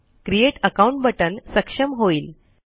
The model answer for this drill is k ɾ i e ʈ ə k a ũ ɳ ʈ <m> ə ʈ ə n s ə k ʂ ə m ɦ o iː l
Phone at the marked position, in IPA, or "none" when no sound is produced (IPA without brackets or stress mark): b